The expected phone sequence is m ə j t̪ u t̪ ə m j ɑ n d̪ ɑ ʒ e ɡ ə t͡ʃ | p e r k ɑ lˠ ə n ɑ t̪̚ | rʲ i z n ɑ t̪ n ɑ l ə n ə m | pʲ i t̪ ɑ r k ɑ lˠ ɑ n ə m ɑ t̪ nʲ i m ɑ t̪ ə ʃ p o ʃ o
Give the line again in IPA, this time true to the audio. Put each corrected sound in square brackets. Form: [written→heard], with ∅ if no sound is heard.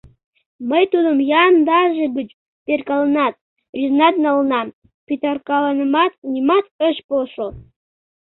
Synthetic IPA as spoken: m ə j t̪ u [t̪→d̪] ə m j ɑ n d̪ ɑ ʒ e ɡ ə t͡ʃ | p e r k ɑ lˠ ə n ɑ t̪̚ | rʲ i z n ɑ t̪ n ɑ l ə n [ə→ɑ] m | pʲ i t̪ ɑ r k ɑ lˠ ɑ n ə m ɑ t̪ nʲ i m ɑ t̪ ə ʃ p o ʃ o